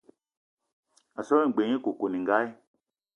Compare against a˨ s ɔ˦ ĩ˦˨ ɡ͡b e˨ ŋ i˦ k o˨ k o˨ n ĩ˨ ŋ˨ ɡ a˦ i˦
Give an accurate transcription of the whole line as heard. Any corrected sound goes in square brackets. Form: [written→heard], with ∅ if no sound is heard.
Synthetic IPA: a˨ s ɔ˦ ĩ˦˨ ɡ͡b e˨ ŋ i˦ k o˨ k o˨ n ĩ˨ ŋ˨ ɡ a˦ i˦